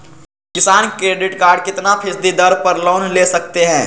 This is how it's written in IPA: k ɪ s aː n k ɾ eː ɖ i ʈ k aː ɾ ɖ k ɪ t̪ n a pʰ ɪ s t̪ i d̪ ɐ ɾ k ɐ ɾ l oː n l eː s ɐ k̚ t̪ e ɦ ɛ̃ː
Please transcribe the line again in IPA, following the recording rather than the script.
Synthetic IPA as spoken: k ɪ s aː n k ɾ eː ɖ ɪ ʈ k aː ɾ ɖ k ɪ t̪ n a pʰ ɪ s d̪ i d̪ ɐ ɾ p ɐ ɾ l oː n l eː s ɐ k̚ t̪ e ɦ ɛ̃ː